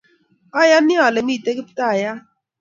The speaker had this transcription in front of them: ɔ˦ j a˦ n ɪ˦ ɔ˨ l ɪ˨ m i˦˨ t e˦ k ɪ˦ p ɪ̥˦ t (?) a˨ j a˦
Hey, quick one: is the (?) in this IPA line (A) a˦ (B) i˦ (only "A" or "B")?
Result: A